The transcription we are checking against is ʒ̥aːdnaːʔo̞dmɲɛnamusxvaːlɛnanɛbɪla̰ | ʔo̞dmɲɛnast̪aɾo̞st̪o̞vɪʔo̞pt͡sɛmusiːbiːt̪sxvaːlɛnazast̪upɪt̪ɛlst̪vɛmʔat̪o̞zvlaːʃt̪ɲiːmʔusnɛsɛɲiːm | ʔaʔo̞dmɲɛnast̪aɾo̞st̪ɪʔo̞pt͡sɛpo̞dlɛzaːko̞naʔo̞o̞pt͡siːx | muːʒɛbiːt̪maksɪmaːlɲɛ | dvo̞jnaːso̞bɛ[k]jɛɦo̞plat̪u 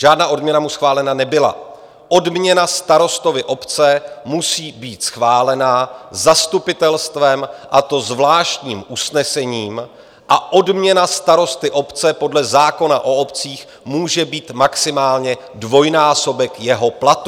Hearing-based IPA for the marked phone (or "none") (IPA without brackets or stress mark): k